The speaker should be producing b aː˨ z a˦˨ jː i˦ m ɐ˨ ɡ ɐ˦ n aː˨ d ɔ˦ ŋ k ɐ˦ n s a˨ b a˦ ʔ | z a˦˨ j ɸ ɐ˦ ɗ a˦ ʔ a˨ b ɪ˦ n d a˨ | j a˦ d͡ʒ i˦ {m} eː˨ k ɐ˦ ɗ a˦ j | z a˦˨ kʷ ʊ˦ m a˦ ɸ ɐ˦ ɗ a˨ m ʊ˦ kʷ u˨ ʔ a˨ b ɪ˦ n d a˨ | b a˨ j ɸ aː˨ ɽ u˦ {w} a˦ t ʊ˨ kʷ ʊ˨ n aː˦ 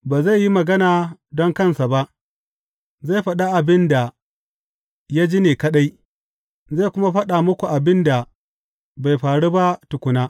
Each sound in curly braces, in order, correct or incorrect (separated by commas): incorrect, incorrect